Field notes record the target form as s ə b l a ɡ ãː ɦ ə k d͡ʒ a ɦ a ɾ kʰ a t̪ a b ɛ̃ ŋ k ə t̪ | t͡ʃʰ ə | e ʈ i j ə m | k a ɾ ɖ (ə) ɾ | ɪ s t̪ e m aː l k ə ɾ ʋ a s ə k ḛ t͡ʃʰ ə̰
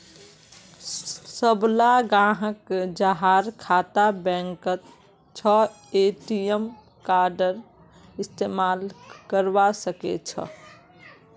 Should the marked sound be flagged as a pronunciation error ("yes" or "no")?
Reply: no